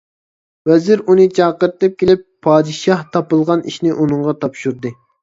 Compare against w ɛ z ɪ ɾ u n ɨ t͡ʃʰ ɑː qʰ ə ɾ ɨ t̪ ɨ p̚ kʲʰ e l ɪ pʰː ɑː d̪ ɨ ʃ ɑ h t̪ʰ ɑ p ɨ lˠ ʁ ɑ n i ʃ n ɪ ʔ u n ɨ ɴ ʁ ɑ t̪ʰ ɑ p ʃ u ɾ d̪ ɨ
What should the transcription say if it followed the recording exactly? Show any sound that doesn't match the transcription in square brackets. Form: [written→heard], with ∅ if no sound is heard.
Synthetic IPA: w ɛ z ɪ ɾ u n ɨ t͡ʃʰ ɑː [qʰ→q] ə ɾ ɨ t̪ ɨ p̚ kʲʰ e l ɪ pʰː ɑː d̪ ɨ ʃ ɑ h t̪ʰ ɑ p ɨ lˠ ʁ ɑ n i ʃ n ɪ ʔ u n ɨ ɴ ʁ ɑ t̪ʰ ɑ p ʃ u ɾ d̪ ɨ